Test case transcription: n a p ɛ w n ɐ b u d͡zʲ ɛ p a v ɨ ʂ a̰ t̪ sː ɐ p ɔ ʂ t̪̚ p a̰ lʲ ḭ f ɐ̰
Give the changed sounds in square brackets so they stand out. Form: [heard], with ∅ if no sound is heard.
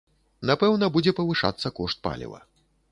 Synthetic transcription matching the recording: n a p ɛ w n ɐ b u d͡zʲ ɛ p [ɐ] v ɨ ʂ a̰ t̪ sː ɐ [k] ɔ ʂ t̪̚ p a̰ lʲ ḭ [v] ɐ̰